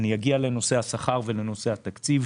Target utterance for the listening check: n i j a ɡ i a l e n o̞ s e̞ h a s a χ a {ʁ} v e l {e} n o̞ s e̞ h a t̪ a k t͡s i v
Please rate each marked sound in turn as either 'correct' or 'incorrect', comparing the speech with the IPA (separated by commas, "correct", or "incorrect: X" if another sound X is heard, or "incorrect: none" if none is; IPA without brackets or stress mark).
correct, correct